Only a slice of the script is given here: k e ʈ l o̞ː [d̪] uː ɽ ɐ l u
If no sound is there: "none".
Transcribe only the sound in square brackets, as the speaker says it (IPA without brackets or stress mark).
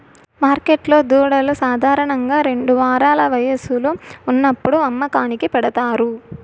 d̪